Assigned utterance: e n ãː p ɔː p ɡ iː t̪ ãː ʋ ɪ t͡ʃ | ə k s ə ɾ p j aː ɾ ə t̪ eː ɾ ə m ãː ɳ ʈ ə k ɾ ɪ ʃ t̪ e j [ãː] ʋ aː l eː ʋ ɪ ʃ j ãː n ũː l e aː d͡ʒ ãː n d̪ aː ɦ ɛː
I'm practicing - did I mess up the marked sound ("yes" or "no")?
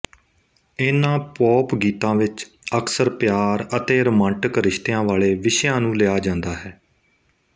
no